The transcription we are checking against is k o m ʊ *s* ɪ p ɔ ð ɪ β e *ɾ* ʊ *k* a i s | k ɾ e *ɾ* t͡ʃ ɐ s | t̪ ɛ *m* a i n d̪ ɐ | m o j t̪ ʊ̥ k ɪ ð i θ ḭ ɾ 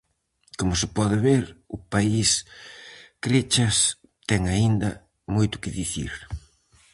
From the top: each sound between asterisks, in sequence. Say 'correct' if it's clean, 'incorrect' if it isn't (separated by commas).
correct, correct, incorrect, incorrect, incorrect